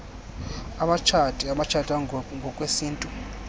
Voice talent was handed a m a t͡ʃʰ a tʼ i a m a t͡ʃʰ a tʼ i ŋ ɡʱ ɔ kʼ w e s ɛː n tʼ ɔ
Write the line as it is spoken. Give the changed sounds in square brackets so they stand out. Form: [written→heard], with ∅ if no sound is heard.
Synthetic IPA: a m a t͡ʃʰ a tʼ i a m a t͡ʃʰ a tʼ [i→a] ŋ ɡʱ ɔ kʼ w e s [ɛː→iː] n tʼ [ɔ→u]